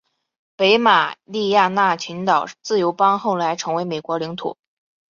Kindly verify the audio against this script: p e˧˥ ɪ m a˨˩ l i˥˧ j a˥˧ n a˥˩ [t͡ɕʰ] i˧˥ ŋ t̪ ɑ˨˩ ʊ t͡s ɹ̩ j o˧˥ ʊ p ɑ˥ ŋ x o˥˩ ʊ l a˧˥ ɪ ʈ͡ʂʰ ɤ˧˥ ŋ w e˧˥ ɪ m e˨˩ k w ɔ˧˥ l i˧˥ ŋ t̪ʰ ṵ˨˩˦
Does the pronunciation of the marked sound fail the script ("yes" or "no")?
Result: no